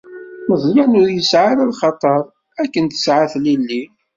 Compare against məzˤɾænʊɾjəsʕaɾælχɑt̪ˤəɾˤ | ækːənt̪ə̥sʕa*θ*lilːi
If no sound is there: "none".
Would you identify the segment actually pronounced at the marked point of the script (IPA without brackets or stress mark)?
θ